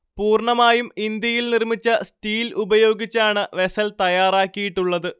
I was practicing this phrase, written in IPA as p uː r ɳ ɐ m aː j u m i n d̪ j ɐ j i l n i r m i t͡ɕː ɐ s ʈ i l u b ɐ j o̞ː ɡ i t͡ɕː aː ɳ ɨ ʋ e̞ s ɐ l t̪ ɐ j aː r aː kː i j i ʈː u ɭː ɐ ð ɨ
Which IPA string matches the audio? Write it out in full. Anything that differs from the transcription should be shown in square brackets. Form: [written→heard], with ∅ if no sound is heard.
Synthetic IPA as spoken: p uː r ɳ ɐ m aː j u m i n d̪ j ɐ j i l n i r m i t͡ɕː ɐ s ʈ [i→iː] l u b ɐ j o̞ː ɡ i t͡ɕː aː ɳ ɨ ʋ e̞ s ɐ l t̪ ɐ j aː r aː kː i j i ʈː u ɭː ɐ ð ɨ

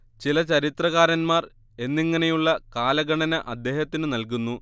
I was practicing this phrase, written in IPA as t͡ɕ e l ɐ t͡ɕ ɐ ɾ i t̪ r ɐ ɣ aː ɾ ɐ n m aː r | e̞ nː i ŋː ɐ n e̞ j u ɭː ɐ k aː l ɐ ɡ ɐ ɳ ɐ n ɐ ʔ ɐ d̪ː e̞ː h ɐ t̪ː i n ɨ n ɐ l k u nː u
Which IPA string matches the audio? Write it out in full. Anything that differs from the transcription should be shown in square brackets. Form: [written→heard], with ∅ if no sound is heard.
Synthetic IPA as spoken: t͡ɕ [e→i] l ɐ t͡ɕ ɐ ɾ i t̪ r ɐ ɣ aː ɾ ɐ n m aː r | e̞ nː i ŋː ɐ n e̞ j u ɭː ɐ k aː l ɐ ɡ ɐ ɳ ɐ n ɐ ʔ ɐ d̪ː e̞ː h ɐ t̪ː i n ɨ n ɐ l k u nː u

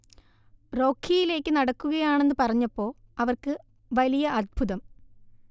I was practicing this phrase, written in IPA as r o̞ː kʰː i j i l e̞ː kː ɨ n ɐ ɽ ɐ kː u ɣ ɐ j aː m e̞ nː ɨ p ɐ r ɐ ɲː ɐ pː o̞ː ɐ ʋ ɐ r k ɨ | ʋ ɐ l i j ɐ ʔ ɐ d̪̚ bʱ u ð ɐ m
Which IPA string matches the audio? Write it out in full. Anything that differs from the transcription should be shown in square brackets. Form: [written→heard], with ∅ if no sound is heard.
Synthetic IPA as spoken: r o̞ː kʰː i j i l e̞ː kː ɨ n ɐ ɽ ɐ kː u ɣ ɐ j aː [m→ɳ] e̞ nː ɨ p ɐ r ɐ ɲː ɐ pː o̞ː ɐ ʋ ɐ r k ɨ | ʋ ɐ l i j ɐ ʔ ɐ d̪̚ bʱ u ð ɐ m

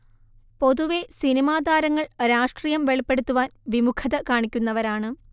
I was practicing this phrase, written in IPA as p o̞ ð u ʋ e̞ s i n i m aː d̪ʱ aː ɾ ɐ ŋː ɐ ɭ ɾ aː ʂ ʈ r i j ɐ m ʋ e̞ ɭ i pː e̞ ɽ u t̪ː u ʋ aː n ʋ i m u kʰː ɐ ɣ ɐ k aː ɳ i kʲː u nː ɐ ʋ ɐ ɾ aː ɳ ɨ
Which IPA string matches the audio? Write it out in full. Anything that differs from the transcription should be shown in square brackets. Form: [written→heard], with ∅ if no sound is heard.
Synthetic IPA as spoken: p o̞ ð u ʋ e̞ s i n i m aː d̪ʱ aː ɾ ɐ ŋː ɐ ɭ ɾ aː ʂ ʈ r i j ɐ m ʋ e̞ ɭ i pː e̞ ɽ u t̪ː u ʋ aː n ʋ i m u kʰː ɐ [ɣ→ð] ɐ k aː ɳ i kʲː u nː ɐ ʋ ɐ ɾ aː ɳ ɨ

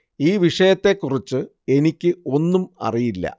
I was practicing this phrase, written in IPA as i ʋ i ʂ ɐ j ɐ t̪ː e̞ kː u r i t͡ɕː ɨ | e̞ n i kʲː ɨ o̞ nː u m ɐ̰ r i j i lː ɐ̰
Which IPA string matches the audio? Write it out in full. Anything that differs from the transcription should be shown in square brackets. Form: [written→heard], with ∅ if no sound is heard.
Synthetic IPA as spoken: [i→iː] ʋ i ʂ ɐ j ɐ t̪ː e̞ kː u r i t͡ɕː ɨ | e̞ n i kʲː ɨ o̞ nː u m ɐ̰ r i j i lː ɐ̰

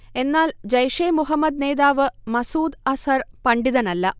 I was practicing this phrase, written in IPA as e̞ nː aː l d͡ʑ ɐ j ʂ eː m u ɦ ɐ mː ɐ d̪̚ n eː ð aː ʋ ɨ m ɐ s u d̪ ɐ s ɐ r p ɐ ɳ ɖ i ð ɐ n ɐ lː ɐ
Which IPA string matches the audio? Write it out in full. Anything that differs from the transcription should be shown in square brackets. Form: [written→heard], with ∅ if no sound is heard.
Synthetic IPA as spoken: e̞ nː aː l d͡ʑ ɐ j ʂ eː m u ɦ ɐ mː ɐ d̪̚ n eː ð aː ʋ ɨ m ɐ s [u→uː] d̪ ɐ s ɐ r p ɐ ɳ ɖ i ð ɐ n ɐ lː ɐ

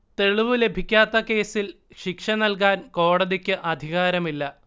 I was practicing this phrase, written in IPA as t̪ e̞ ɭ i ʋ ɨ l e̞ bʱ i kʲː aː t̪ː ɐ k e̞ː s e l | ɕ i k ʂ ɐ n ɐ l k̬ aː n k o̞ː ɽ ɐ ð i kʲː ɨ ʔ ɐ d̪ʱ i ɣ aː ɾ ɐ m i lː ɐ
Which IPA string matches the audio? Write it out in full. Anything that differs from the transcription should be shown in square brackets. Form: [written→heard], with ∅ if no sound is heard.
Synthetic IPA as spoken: t̪ e̞ ɭ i ʋ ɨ l e̞ bʱ i kʲː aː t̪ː ɐ k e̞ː s [e→i] l | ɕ i k ʂ ɐ n ɐ l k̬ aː n k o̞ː ɽ ɐ ð i kʲː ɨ ʔ ɐ d̪ʱ i ɣ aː ɾ ɐ m i lː ɐ

